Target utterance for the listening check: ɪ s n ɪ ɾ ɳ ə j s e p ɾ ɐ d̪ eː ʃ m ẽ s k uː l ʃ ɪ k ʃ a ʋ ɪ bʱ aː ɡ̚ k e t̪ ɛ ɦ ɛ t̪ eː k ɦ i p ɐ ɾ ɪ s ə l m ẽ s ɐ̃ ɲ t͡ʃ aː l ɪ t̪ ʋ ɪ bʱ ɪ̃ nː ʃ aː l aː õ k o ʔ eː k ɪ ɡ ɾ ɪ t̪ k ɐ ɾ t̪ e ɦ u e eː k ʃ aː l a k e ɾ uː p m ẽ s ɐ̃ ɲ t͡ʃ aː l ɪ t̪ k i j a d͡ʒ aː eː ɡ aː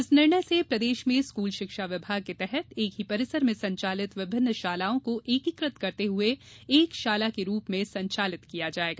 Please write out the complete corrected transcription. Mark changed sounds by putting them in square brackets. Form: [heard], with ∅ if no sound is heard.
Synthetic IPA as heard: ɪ s n ɪ ɾ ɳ ə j s e p ɾ ɐ d̪ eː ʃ m ẽ s k uː l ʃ ɪ k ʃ a ʋ ɪ bʱ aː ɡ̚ k e t̪ ɛ ɦ ɛ t̪ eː k ɦ i p ɐ ɾ ɪ s ə [ɾ] m ẽ s ɐ̃ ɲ t͡ʃ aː l ɪ t̪ ʋ ɪ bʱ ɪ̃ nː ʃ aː l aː õ k o ʔ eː k ɪ [k] ɾ ɪ t̪ k ɐ ɾ t̪ e ɦ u e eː k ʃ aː l a k e ɾ uː p m ẽ s ɐ̃ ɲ t͡ʃ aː l ɪ t̪ k i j a d͡ʒ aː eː ɡ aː